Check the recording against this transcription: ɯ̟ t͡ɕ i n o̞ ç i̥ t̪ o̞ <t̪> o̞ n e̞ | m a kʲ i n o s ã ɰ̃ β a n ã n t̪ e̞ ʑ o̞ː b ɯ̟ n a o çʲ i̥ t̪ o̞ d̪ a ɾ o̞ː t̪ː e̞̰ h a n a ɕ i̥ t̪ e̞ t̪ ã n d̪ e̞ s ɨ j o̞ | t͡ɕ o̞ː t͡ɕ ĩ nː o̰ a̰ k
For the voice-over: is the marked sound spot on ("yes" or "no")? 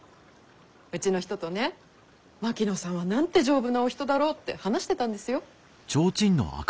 yes